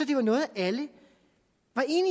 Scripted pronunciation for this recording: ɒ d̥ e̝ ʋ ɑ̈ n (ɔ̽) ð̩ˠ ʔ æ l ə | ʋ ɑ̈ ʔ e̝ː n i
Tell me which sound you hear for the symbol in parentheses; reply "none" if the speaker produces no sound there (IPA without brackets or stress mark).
ɔ̽ː